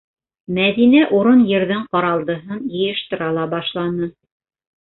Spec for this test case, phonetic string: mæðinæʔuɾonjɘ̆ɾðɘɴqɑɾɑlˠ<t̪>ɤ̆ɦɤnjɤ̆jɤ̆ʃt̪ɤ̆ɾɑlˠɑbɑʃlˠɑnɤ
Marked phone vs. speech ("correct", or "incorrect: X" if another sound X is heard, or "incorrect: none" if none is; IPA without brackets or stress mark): incorrect: d̪